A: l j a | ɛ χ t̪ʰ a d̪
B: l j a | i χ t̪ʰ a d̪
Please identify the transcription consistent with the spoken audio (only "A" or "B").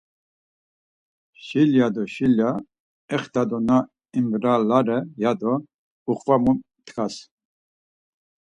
A